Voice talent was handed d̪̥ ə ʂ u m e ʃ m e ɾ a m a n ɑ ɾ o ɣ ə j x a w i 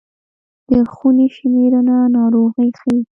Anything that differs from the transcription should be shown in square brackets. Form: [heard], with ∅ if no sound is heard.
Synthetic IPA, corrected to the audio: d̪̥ ə [x] u [n] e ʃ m e ɾ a [n] a n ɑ ɾ o ɣ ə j x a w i